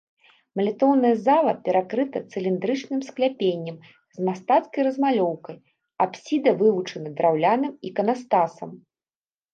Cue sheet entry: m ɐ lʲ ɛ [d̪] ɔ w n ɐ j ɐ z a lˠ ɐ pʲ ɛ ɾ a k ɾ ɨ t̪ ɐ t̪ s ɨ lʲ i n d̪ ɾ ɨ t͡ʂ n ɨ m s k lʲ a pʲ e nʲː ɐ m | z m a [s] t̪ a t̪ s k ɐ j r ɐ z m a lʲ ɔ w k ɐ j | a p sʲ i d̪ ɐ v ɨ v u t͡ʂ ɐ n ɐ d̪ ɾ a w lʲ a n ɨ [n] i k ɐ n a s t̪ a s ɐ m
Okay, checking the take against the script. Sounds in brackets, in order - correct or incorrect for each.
incorrect, correct, incorrect

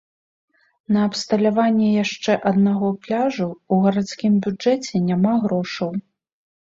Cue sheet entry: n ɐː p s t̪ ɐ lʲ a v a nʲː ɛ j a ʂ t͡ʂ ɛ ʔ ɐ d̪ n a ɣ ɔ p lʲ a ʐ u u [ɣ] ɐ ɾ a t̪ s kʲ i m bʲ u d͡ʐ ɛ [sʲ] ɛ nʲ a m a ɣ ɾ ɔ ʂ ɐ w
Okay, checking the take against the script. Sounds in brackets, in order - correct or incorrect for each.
correct, incorrect

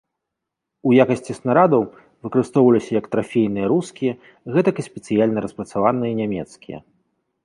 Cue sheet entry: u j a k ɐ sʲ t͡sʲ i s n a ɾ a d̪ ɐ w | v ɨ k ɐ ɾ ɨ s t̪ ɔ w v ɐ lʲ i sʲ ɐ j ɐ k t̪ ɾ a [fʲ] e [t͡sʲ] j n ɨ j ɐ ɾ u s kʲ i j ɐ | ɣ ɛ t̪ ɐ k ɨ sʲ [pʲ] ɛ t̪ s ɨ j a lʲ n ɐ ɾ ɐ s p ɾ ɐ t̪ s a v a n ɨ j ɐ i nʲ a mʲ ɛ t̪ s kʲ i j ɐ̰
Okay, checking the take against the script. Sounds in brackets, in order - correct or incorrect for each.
correct, incorrect, correct

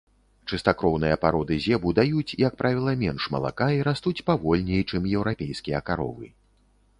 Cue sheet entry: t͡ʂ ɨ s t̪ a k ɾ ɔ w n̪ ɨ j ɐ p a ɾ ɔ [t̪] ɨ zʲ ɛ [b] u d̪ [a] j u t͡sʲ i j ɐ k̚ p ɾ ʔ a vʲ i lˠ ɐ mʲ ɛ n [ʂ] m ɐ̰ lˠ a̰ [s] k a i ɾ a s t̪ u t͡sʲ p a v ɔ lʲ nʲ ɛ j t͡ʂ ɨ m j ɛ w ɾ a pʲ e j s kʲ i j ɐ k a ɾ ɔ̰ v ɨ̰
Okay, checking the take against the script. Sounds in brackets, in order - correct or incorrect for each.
incorrect, correct, correct, correct, incorrect

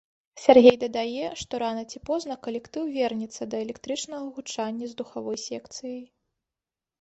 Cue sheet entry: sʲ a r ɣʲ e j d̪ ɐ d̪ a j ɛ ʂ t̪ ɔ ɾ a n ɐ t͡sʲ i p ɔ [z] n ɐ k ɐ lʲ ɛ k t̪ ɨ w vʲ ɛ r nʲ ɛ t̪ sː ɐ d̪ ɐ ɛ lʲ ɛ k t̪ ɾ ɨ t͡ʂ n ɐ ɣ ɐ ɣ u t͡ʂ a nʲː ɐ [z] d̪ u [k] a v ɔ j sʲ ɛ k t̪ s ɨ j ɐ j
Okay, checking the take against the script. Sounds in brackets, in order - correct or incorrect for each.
correct, correct, incorrect

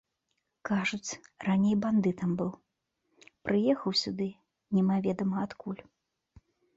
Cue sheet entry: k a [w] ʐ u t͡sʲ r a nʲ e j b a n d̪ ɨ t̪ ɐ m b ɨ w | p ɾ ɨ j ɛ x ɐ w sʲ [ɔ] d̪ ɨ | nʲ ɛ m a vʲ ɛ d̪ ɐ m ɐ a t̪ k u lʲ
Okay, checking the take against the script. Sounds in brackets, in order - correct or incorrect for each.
incorrect, incorrect

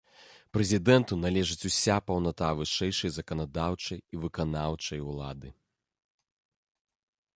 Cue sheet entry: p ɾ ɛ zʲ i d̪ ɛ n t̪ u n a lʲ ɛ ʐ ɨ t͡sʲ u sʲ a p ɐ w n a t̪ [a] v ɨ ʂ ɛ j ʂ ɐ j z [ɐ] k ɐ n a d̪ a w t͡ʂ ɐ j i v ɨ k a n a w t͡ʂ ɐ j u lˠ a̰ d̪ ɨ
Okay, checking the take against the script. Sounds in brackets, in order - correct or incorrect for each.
correct, correct

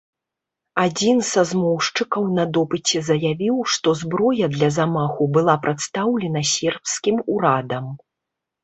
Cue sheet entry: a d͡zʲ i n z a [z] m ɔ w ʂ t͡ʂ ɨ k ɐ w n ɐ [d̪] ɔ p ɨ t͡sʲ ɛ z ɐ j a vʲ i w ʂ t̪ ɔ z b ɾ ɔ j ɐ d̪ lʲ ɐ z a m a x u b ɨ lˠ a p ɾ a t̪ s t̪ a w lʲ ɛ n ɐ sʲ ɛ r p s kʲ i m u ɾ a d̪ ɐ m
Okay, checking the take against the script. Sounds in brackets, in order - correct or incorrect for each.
correct, correct

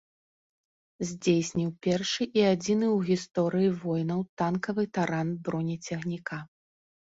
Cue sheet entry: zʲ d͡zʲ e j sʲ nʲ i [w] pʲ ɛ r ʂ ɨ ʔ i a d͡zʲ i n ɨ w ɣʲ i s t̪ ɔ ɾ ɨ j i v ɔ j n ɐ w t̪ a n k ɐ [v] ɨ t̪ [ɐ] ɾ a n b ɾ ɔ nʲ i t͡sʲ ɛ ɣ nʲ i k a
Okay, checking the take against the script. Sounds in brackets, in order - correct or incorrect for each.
correct, correct, incorrect

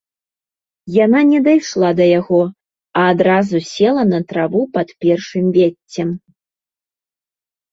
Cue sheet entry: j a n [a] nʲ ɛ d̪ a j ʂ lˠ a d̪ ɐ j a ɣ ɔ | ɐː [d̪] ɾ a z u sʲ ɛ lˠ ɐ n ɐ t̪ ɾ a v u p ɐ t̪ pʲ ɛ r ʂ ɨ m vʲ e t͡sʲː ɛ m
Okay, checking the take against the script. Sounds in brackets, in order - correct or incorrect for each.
correct, correct

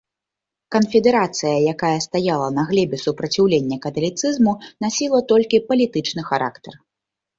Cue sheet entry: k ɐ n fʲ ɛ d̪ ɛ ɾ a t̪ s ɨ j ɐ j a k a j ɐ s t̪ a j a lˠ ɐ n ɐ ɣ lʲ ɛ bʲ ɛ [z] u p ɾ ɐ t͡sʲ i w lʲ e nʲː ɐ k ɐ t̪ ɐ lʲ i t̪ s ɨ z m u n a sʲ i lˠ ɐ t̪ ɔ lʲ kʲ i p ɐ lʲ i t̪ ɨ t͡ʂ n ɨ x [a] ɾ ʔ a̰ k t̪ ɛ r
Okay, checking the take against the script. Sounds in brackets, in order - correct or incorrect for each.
incorrect, correct

